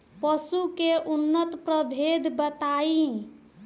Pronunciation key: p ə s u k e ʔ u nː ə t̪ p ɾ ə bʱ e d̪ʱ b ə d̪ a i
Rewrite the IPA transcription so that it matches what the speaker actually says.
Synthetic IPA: p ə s u k e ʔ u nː ə t̪ p ɾ ə bʱ e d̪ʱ b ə t̪ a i